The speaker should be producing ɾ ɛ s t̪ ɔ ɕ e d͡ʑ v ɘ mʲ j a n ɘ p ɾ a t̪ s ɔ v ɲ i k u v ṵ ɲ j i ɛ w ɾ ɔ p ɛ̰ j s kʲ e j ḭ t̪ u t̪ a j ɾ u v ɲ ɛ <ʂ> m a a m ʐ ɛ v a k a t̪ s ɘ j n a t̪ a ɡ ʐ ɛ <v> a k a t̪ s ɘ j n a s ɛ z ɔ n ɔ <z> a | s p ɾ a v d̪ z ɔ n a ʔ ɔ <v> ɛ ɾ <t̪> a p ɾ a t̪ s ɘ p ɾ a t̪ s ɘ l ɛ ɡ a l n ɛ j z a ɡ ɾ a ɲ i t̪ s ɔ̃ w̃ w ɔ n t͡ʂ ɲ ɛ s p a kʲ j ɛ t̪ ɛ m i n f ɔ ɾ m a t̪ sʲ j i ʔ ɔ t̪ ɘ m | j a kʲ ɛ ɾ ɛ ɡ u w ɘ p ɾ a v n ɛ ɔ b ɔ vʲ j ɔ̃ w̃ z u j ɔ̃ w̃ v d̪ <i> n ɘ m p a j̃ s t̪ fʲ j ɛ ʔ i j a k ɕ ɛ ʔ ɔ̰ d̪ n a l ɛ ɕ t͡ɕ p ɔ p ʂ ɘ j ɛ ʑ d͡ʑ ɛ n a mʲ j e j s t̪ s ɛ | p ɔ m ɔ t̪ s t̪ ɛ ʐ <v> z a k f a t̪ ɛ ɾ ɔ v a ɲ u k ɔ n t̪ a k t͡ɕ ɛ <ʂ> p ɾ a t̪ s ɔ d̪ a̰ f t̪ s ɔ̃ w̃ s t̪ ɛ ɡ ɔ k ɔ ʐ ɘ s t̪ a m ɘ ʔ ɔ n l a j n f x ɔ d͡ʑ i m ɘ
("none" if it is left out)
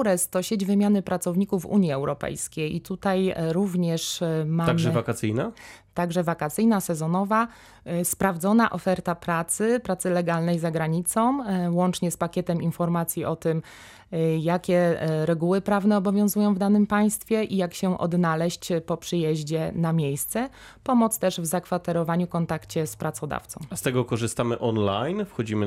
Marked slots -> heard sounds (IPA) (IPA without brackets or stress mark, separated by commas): ʂ, v, v, f, t̪, a, v, s